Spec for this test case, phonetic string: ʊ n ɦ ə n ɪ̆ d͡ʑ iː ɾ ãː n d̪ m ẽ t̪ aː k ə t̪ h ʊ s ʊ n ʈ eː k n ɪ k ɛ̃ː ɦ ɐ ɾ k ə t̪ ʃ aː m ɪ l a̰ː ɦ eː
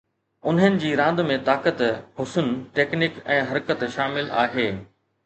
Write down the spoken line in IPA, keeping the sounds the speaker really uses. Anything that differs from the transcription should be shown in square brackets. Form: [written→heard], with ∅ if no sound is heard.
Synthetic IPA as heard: ʊ n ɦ ə n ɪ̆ d͡ʑ iː ɾ ãː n d̪ m ẽ t̪ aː k ə t̪ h ʊ s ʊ n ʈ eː k n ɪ k ɛ̃ː ɦ ɐ ɾ k ə t̪ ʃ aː m ɪ l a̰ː ɦ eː